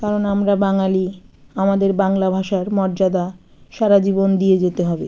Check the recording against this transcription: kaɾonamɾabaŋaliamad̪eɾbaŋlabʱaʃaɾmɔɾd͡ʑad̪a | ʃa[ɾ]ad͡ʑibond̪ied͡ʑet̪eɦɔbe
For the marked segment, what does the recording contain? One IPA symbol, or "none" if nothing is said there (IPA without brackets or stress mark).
ɾ